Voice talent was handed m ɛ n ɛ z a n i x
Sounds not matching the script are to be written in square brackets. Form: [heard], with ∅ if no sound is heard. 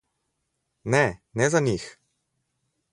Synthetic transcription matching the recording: [n] ɛ n ɛ z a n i x